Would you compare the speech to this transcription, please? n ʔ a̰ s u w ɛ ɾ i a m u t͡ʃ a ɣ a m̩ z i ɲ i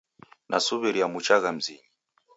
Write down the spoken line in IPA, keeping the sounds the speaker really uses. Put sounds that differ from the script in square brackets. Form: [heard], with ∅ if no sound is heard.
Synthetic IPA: n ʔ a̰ s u [β] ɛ ɾ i a m u t͡ʃ a ɣ a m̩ z i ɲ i